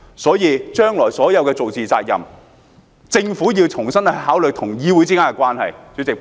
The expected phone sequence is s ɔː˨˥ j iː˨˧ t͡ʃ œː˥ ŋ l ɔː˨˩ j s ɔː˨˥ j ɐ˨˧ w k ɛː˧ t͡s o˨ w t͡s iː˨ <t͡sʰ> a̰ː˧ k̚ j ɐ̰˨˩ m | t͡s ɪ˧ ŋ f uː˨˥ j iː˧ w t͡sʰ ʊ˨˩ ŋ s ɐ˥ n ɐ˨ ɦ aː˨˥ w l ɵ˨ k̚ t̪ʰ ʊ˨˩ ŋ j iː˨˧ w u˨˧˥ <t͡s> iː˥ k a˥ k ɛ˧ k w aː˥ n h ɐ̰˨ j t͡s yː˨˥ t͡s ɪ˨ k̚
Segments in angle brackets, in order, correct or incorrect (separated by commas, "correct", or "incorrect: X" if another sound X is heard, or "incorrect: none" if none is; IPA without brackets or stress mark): incorrect: t͡s, correct